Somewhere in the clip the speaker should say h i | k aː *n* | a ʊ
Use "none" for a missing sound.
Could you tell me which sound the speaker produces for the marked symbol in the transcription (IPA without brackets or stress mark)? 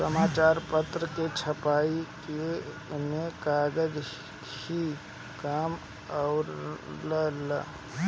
m